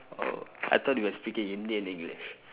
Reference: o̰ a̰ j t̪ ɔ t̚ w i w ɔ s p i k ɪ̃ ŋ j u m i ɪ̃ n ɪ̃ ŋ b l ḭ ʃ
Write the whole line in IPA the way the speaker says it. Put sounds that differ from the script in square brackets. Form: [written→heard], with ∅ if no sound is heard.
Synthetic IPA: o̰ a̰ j t̪ ɔ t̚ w i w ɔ s p i k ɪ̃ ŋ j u [m→n] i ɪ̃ n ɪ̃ ŋ [b→ɡ] l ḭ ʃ

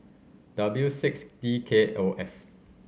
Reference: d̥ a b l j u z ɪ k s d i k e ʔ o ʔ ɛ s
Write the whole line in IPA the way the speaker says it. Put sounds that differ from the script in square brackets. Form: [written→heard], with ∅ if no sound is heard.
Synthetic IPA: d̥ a b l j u [z→s] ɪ k s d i [k→kʰ] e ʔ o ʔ ɛ [s→f]

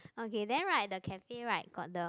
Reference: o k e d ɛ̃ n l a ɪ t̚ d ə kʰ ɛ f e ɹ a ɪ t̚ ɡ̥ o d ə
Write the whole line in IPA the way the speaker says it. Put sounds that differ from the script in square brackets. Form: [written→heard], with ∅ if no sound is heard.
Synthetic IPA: o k e d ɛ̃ n [l→ɹ] a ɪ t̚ d ə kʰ ɛ f e ɹ a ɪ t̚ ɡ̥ [o→ɔ] d ə

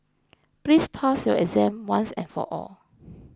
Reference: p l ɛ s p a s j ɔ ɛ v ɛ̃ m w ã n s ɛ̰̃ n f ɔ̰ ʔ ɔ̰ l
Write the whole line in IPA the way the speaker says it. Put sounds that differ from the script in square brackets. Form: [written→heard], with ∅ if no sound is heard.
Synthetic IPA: p l [ɛ→i] s [p→pʰ] a s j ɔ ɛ [v→z] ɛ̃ m w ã n s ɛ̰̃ n f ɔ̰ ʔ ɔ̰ l

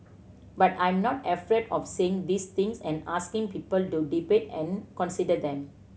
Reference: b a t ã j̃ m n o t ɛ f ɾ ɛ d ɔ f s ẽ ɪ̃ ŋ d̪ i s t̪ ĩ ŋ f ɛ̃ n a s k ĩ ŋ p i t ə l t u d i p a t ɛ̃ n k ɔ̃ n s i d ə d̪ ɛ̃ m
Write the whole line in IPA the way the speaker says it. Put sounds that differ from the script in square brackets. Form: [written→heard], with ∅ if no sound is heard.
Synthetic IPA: b a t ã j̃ m n [o→ɔ] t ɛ f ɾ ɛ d ɔ f s [ẽ→e] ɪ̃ ŋ d̪ i s t̪ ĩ ŋ [f→s] ɛ̃ n a s k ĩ ŋ p i [t→p] ə l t u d i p [a→e] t ɛ̃ n k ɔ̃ n s i d ə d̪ ɛ̃ m

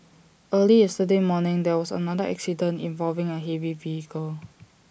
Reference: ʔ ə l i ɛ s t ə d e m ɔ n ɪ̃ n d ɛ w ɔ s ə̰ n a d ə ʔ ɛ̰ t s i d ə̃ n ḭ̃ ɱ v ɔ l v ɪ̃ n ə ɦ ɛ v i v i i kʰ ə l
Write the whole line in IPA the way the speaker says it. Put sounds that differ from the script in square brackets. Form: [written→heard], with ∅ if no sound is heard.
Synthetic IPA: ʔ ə l i ɛ s t ə d e m ɔ n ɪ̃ [n→ŋ] d ɛ w ɔ s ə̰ n a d ə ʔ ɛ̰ [t→k] s i d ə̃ n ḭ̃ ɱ v ɔ l v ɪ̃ [n→ŋ] ə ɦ ɛ v i v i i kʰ ə l

